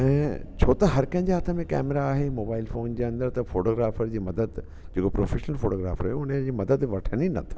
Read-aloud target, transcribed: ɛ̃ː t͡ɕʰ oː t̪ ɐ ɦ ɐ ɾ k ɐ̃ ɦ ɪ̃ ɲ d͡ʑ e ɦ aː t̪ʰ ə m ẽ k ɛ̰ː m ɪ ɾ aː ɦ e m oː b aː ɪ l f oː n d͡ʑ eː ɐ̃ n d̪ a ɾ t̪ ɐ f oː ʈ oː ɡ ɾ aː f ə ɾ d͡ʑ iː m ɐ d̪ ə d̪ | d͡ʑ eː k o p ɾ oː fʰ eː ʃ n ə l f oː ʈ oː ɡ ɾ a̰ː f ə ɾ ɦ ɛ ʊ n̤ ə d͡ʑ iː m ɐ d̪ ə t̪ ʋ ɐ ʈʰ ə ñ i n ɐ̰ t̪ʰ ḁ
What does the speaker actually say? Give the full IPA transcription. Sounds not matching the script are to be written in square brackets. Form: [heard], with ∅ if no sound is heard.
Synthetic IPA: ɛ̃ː t͡ɕʰ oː t̪ ɐ ɦ ɐ ɾ k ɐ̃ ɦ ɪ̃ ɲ d͡ʑ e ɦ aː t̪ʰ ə m ẽ k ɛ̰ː m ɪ ɾ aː ɦ e m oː b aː ɪ l f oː n d͡ʑ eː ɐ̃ n d̪ [ə] ɾ t̪ ɐ f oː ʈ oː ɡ ɾ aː f ə ɾ d͡ʑ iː m ɐ d̪ ə d̪ | d͡ʑ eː k o p ɾ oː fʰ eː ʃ n ə l f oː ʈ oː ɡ ɾ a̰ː f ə ɾ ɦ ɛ ʊ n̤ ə d͡ʑ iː m ɐ d̪ ə [d̪] ʋ ɐ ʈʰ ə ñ i n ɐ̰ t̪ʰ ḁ